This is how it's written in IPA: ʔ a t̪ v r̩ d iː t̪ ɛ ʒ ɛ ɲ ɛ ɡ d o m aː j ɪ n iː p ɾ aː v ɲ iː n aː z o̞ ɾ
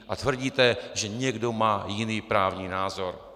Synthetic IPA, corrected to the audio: ʔ a t̪ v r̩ ɟ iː t̪ ɛ ʒ ɛ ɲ ɛ ɡ d o m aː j ɪ n iː p ɾ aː v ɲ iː n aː z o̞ ɾ